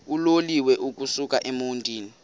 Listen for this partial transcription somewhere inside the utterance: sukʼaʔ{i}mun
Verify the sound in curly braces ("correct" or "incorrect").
incorrect